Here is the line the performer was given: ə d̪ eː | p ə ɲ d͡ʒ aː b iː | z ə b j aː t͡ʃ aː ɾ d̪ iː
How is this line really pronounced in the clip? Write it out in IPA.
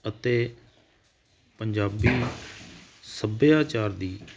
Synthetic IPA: ə t̪ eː | p ə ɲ d͡ʒ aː b iː | s ə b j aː t͡ʃ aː ɾ d̪ iː